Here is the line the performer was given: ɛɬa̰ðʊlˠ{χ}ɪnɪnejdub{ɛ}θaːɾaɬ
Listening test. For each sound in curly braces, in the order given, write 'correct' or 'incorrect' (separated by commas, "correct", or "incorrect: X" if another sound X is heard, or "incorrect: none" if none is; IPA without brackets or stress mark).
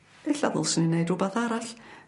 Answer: incorrect: s, incorrect: a